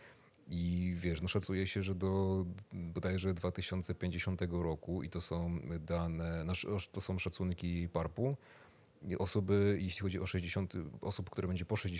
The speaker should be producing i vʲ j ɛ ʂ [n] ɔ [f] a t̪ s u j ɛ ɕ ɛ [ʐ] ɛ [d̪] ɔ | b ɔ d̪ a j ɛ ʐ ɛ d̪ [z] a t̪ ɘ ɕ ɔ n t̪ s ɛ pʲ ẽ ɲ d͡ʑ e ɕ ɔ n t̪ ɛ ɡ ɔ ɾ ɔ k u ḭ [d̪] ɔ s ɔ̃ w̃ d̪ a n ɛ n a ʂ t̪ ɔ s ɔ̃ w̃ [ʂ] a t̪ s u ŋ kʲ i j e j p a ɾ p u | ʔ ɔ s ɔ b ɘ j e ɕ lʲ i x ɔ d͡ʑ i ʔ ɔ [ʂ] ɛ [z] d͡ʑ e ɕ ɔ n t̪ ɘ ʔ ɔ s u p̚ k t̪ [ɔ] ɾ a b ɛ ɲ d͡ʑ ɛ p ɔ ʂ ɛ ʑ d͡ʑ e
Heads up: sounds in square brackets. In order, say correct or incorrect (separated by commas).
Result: correct, incorrect, correct, correct, incorrect, incorrect, correct, correct, incorrect, incorrect